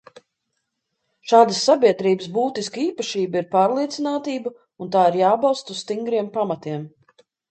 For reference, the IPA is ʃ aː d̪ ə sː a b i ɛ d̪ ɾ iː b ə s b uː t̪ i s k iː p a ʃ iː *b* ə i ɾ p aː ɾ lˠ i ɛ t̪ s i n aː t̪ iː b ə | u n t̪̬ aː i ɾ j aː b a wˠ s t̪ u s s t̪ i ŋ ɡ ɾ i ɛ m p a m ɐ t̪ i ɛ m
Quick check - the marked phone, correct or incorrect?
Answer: correct